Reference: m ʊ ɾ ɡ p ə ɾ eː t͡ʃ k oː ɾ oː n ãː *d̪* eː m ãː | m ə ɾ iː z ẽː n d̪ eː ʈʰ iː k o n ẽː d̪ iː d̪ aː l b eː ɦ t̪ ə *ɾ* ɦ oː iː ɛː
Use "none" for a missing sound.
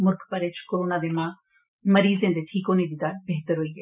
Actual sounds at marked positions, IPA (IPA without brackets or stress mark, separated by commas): d̪, ɾ